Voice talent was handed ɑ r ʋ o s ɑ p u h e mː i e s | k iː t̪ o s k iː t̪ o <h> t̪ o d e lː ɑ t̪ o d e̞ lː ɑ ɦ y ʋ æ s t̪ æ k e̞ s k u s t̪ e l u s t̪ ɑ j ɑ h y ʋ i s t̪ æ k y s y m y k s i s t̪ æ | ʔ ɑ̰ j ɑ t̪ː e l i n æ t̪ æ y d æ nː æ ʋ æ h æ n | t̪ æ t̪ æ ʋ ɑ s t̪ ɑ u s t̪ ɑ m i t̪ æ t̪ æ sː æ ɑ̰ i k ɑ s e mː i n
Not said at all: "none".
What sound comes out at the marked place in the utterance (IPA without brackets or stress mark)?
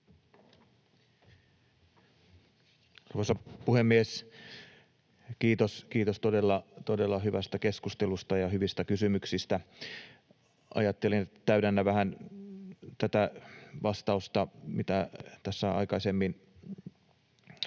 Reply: s